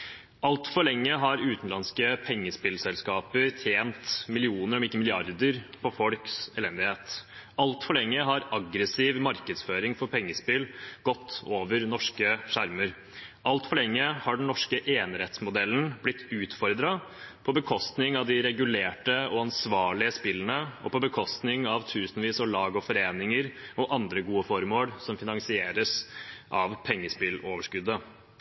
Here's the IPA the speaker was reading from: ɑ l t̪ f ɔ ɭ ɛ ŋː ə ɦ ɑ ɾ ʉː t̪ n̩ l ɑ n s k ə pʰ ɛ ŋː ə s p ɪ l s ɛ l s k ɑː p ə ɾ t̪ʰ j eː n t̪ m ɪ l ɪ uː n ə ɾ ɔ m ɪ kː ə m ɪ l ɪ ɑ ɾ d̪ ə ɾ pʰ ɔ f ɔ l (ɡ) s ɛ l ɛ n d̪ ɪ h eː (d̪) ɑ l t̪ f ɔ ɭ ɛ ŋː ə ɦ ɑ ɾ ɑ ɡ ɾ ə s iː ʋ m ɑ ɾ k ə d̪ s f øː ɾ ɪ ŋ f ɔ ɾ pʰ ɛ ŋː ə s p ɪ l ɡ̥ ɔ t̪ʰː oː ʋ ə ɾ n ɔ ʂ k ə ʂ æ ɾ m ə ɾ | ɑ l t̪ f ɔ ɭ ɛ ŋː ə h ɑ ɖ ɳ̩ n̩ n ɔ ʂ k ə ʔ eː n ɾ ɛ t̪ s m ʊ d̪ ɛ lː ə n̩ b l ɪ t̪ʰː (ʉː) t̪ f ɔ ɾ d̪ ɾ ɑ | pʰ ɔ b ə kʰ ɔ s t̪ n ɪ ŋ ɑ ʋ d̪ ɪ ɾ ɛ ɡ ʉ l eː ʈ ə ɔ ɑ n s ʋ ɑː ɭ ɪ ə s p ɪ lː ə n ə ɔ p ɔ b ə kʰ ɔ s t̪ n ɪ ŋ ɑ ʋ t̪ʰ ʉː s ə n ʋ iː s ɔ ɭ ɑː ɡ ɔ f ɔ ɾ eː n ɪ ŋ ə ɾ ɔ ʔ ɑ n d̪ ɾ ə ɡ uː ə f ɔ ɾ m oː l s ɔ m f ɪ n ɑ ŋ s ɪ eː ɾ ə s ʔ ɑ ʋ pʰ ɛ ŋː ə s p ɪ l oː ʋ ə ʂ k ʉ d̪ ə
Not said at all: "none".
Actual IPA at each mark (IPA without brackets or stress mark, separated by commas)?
k, t̪, ʉː